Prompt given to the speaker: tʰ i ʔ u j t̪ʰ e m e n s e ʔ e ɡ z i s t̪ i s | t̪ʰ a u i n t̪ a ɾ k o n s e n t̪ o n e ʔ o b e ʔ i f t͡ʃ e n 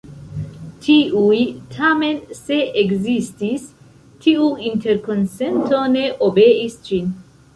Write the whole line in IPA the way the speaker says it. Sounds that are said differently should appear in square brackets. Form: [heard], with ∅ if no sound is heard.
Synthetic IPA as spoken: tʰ i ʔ u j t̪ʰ [a] m e n s e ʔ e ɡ z i s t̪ i s | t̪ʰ [i] u i n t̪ [e] ɾ k o n s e n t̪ o n e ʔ o b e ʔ i [s] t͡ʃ [i] n